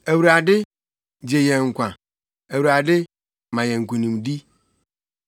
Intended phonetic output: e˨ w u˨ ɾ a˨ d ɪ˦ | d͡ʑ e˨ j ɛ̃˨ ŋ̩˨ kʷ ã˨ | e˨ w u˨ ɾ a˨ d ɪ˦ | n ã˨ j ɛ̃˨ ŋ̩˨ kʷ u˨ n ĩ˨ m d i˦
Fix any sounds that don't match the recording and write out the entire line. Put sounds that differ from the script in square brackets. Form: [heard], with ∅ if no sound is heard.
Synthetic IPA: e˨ w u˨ ɾ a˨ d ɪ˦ | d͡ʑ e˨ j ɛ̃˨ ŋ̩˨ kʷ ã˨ | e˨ w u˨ ɾ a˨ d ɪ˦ | [m] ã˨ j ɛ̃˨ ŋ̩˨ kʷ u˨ n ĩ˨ m d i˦